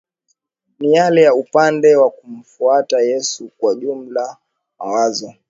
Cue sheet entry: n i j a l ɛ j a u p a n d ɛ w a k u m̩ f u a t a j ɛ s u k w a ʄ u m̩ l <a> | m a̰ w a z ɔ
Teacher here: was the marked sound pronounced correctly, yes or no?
yes